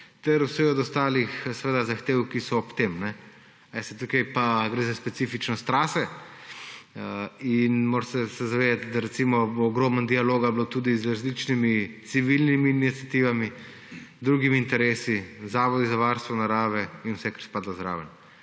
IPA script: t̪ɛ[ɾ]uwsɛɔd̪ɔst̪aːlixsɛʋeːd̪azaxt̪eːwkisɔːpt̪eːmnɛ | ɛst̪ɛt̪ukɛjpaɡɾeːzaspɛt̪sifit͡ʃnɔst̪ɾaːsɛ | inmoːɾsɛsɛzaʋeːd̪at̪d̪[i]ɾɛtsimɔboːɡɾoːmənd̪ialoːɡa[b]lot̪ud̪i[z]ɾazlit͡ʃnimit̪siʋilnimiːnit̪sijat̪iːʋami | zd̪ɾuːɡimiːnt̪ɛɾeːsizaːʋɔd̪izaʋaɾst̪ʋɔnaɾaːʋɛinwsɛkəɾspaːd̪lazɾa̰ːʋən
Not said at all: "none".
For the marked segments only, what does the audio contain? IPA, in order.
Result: ɾ, a, b, z

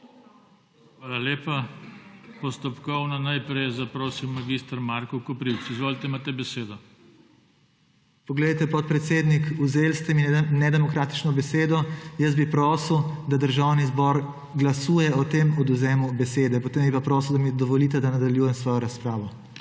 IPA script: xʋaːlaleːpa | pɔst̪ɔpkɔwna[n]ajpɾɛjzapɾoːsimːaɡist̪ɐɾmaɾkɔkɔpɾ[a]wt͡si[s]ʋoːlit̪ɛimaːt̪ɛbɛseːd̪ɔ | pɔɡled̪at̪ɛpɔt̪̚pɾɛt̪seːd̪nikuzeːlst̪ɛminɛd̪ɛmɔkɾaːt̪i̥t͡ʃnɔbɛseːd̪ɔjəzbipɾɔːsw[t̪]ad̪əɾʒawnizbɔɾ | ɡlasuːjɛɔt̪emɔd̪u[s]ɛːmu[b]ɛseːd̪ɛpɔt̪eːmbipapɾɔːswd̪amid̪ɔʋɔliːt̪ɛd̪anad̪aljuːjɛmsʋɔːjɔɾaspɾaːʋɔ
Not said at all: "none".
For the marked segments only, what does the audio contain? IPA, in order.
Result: n, i, z, d̪, z, b

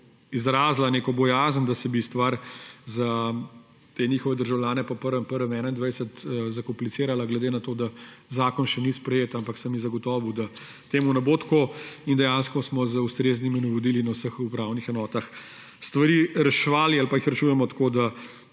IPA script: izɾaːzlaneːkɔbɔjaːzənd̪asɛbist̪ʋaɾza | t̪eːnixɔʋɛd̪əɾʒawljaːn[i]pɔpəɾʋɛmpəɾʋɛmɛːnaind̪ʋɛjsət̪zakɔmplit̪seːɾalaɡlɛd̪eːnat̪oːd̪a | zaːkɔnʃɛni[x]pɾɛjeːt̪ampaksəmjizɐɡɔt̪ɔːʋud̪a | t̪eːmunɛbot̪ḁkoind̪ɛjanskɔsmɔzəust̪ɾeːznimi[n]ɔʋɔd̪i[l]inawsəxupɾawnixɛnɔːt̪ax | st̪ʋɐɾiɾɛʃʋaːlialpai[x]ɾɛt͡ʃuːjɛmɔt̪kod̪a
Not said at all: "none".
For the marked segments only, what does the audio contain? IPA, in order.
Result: ɛ, s, n, l, x

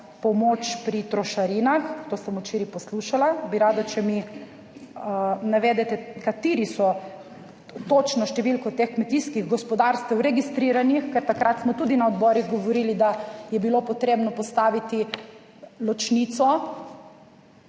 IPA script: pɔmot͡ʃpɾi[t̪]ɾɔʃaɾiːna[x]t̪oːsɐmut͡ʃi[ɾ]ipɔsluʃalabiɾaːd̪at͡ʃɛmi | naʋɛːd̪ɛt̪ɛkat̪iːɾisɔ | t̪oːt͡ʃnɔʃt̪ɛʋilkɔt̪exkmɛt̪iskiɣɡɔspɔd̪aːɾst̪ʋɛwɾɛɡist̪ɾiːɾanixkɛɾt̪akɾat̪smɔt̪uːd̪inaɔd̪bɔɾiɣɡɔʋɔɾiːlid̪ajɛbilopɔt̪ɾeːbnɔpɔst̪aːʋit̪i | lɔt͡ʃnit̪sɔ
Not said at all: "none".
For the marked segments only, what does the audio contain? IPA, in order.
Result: t̪, x, ɾ

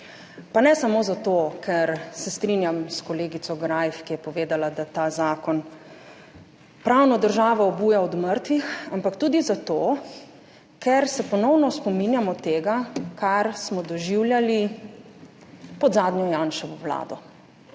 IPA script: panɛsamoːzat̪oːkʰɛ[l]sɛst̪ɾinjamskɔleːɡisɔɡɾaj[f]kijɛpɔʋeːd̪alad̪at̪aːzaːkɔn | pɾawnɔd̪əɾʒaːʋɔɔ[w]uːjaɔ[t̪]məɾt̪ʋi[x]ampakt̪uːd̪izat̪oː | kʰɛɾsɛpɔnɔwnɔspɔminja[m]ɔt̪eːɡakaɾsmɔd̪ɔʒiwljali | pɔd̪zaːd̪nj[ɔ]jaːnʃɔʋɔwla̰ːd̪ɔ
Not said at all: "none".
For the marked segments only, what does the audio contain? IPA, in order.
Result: ɾ, f, b, d̪, x, m, ɔ

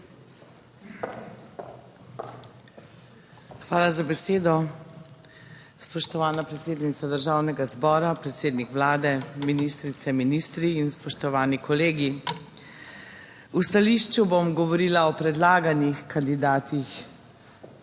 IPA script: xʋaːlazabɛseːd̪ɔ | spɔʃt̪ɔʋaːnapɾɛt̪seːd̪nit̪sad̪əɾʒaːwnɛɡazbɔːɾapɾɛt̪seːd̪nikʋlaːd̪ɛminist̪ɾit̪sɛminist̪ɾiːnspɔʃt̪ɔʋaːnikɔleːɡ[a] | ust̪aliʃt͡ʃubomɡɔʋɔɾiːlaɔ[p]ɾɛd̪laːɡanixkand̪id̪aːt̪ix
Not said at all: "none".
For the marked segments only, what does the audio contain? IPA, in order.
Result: i, p

